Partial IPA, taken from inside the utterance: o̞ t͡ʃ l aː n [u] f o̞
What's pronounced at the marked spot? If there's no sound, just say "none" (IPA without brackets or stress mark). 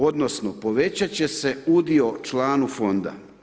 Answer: u